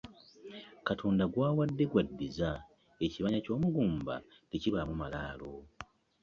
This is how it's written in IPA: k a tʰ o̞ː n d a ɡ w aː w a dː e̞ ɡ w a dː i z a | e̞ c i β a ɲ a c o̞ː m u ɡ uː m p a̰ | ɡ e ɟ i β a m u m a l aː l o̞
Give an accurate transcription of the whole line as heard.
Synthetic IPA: k a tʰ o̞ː n d a ɡ w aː w a dː e̞ ɡ w a dː i z a | e̞ c i β a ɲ a c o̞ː m u ɡ uː m b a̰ | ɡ e c i β a m u m a l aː l o̞